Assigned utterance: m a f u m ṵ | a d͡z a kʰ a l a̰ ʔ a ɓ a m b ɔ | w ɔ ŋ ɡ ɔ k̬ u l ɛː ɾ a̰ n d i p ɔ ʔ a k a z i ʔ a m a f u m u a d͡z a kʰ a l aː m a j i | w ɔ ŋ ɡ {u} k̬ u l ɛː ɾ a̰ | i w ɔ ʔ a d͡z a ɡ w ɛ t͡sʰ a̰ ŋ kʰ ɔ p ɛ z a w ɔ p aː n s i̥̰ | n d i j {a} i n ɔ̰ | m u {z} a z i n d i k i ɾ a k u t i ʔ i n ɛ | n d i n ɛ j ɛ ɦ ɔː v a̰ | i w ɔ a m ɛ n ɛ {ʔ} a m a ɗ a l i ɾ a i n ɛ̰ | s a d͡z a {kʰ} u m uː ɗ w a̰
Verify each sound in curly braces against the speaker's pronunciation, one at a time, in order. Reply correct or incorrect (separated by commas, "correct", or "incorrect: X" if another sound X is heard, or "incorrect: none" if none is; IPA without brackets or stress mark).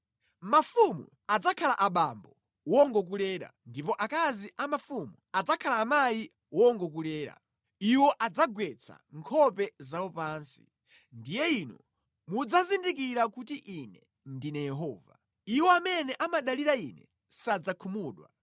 incorrect: ɔ, incorrect: ɛ, incorrect: d͡z, correct, correct